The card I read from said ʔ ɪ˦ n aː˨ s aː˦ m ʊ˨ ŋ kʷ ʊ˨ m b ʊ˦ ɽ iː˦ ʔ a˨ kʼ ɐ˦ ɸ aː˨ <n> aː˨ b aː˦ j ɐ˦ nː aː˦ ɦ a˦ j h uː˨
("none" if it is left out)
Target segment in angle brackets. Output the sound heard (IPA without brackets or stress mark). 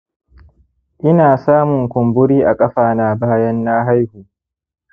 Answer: n